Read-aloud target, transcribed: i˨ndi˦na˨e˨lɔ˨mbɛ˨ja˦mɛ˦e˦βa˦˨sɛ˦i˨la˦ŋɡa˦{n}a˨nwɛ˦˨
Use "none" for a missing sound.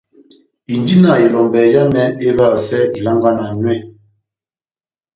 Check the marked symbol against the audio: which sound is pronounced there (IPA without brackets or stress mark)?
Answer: n